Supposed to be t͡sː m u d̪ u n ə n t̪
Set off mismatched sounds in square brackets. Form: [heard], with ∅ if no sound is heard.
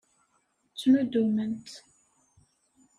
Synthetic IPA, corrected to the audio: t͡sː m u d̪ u [m] ə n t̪